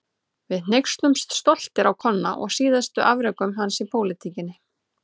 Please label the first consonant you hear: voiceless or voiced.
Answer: voiced